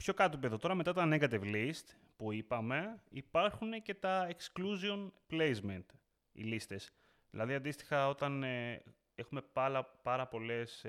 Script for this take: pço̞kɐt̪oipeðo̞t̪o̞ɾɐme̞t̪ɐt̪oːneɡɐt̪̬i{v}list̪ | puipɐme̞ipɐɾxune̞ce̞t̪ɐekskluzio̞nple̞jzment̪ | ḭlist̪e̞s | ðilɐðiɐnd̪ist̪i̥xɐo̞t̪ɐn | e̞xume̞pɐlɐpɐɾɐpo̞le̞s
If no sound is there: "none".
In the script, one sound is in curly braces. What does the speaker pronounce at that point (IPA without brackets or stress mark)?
v